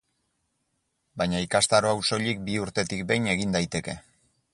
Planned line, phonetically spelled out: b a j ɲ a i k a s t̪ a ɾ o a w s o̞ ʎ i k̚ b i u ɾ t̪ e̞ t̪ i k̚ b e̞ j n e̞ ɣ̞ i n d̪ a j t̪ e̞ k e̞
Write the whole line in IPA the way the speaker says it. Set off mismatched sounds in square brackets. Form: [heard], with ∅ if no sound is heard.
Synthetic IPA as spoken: b a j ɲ a i k a s t̪ a ɾ o a w s o̞ ʎ i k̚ b i u ɾ t̪ e̞ t̪ i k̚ b e̞ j n e̞ ɣ̞ i n d̪ a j t̪ e̞ k e̞